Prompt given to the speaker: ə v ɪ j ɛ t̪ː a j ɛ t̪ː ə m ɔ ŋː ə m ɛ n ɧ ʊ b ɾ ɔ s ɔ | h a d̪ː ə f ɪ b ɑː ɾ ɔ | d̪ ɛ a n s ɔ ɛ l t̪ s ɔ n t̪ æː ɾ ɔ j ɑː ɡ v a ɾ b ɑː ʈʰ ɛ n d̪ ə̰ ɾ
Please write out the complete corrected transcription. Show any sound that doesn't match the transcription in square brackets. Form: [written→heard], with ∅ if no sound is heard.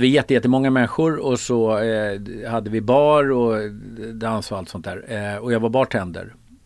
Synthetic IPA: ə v ɪ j ɛ t̪ː [a→ə] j ɛ t̪ː ə m ɔ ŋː [ə→a] m ɛ n ɧ ʊ [b→∅] ɾ ɔ s ɔ | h a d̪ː ə [f→v] ɪ b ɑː ɾ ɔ | d̪ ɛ a n s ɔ [ɛ→a] l t̪ s ɔ n t̪ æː ɾ ɔ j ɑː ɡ v a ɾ b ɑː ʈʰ ɛ n d̪ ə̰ ɾ